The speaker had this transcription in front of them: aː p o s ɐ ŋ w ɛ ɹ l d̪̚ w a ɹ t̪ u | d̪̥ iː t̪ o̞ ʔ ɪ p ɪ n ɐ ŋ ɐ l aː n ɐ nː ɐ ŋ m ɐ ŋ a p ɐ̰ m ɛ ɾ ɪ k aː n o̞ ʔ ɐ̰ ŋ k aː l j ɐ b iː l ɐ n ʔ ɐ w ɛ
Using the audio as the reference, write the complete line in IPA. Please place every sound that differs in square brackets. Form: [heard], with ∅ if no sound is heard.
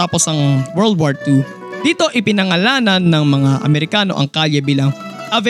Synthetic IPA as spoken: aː p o s ɐ ŋ w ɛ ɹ l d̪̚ w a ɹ t̪ u | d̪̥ iː t̪ o̞ ʔ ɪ p ɪ n ɐ ŋ ɐ l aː n ɐ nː ɐ ŋ m ɐ ŋ a [ʔ] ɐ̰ m ɛ ɾ ɪ k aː n o̞ ʔ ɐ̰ ŋ k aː l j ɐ b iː l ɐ [ŋ] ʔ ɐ [v] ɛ